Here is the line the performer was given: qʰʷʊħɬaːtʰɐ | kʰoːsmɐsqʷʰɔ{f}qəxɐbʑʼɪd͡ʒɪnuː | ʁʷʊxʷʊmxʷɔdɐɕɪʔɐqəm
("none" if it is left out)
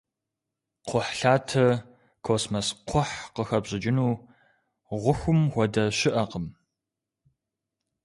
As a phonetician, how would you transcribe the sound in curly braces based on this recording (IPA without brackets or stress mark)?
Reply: ħ